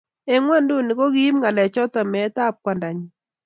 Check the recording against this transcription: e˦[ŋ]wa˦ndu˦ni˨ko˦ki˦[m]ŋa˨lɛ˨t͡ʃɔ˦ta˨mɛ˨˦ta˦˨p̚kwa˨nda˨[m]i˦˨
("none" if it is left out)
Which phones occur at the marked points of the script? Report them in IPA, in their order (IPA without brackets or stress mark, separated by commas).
ŋ, m, ɲ